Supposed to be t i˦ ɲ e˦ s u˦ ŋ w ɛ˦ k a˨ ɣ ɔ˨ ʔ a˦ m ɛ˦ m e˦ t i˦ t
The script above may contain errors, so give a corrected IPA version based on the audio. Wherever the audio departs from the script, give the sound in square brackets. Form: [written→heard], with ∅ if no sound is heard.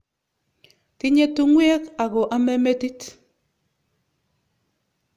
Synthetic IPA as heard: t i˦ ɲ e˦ [s→t] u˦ ŋ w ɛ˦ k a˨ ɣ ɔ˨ ʔ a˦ m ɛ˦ m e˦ t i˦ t